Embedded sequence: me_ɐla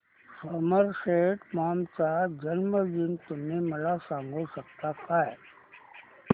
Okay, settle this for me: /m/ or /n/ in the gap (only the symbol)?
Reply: m